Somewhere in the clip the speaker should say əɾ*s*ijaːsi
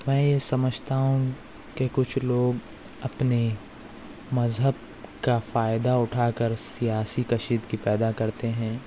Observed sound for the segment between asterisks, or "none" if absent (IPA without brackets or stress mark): s